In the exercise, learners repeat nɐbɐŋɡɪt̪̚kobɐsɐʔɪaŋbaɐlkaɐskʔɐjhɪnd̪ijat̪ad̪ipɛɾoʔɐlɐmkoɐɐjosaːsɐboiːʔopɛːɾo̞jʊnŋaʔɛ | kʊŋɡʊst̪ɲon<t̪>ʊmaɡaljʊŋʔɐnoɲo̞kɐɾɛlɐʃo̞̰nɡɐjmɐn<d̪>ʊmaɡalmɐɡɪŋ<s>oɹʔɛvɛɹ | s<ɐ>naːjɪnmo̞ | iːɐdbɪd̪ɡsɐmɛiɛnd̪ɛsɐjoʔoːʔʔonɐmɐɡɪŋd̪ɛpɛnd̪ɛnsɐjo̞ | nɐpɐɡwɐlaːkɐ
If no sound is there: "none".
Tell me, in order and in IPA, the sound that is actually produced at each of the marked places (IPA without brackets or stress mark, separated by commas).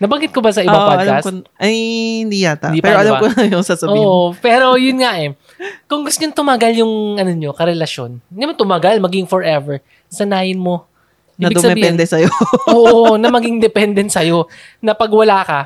t̪, t̪, f, ɐ